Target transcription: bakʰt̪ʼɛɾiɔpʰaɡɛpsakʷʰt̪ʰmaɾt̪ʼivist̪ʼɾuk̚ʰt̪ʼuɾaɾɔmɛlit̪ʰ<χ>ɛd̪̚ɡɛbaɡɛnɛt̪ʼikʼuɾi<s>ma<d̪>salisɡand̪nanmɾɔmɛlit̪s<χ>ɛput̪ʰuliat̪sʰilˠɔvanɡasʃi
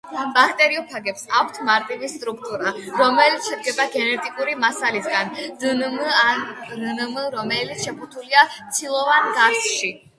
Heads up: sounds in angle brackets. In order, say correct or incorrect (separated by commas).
incorrect, incorrect, incorrect, incorrect